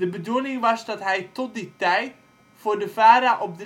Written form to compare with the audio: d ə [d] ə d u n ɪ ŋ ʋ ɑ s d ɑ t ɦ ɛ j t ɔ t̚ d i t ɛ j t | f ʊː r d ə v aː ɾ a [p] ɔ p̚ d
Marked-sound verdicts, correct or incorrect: incorrect: b, incorrect: ʔ

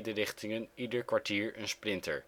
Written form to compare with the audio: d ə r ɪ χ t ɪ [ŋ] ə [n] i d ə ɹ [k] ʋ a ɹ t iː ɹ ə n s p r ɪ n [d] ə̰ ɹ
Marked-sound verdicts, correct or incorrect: correct, correct, correct, incorrect: t

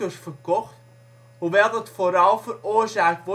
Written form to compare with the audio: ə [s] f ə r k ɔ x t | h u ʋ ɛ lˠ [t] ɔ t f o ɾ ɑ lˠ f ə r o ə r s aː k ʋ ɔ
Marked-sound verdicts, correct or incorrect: correct, incorrect: d

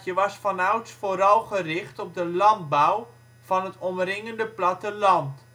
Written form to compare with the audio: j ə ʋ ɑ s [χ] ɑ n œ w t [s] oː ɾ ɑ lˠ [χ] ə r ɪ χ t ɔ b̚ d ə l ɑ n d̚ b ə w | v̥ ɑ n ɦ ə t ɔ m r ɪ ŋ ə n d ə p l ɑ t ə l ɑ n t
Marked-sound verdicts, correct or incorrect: incorrect: f, incorrect: f, correct

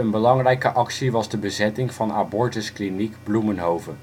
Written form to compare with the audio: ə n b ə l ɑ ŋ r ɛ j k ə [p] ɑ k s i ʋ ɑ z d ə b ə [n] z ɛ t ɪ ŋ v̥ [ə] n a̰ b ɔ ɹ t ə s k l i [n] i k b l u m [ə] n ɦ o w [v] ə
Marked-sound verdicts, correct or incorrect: incorrect: ʔ, incorrect: none, incorrect: ɑ, correct, correct, correct

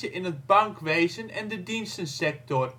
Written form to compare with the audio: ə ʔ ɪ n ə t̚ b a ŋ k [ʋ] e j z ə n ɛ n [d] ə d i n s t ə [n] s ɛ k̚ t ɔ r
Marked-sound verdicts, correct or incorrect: correct, correct, correct

